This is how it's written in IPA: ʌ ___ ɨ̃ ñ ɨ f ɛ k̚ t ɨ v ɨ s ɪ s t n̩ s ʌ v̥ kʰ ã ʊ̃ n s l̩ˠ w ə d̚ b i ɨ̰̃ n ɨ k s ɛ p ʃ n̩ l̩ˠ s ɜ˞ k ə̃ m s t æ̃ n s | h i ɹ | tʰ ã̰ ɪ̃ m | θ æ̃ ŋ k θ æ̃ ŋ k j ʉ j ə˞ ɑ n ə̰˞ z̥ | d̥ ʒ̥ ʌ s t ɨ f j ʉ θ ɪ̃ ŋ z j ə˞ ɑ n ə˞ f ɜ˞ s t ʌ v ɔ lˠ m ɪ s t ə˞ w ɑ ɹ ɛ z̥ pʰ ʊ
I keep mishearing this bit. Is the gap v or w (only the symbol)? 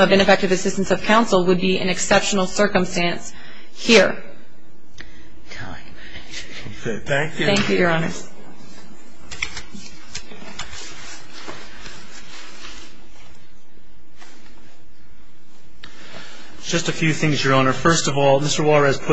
v